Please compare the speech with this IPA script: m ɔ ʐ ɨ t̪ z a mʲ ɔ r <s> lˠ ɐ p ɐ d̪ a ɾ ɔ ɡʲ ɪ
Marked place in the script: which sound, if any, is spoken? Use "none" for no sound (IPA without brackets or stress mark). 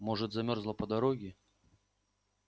z